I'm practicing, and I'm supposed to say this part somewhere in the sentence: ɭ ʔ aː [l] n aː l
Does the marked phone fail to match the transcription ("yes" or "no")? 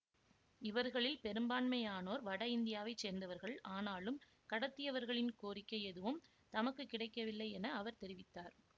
yes